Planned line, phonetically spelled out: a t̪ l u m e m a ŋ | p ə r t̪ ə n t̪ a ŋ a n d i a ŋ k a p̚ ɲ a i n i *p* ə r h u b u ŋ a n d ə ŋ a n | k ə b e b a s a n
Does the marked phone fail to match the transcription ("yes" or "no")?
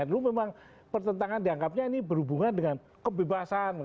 yes